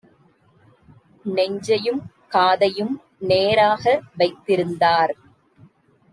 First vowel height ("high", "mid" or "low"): mid